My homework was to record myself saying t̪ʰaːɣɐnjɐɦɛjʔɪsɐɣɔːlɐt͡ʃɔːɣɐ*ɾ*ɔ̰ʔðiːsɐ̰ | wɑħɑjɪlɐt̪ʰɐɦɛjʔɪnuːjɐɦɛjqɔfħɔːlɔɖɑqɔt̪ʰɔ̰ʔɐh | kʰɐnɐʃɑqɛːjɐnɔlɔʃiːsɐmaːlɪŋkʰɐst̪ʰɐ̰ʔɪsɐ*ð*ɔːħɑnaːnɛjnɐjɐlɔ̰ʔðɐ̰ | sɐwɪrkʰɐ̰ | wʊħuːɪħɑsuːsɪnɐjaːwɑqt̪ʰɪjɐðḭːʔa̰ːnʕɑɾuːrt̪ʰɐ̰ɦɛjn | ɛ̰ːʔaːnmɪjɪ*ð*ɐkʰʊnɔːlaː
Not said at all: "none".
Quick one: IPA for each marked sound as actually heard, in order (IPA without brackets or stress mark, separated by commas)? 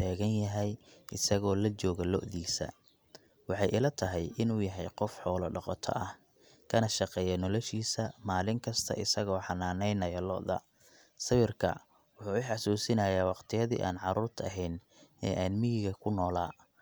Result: l, ɣ, ɣ